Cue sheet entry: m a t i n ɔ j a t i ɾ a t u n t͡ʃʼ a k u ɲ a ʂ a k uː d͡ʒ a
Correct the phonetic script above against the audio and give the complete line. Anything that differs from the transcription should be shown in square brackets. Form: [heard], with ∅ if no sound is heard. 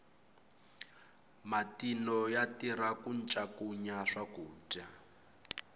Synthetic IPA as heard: m a t i n ɔ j a t i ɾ a [k] u n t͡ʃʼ a k u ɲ a ʂ a k uː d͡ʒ a